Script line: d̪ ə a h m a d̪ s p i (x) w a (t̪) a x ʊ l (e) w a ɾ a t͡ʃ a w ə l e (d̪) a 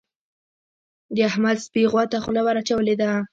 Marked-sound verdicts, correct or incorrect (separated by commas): incorrect, correct, incorrect, correct